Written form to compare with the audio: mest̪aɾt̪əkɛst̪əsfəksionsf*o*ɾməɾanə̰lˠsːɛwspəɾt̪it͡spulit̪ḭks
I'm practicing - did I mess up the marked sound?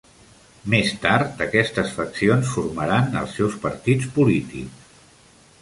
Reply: yes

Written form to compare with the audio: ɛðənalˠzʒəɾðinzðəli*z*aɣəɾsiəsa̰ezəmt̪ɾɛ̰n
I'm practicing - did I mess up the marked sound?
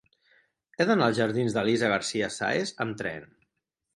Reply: no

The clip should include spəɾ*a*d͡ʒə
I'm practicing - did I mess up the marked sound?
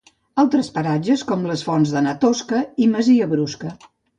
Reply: no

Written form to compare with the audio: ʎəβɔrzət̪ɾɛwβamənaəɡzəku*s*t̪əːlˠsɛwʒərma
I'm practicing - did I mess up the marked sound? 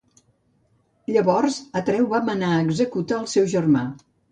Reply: yes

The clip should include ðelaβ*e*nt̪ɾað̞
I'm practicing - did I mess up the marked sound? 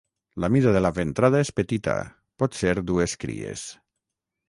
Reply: no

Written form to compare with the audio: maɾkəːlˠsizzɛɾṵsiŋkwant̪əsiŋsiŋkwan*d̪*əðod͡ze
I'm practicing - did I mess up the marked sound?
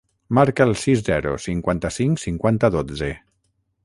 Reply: yes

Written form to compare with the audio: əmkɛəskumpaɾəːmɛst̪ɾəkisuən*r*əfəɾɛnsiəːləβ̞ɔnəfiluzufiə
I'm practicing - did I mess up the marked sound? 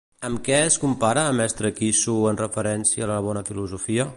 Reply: no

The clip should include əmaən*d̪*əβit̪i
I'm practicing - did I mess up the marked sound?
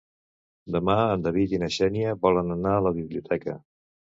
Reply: no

